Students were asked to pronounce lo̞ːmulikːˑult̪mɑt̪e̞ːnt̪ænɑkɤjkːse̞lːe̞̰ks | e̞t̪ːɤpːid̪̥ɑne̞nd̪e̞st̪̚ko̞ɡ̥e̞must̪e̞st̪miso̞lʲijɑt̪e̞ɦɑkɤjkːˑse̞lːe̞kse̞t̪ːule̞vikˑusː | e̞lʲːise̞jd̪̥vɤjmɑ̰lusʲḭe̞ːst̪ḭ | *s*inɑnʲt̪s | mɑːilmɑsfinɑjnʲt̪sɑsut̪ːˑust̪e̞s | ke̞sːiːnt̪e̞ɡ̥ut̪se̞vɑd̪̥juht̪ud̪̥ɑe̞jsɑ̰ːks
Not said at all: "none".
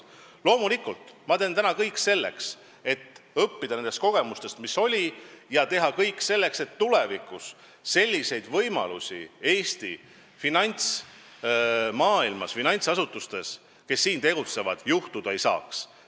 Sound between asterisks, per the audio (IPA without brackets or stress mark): f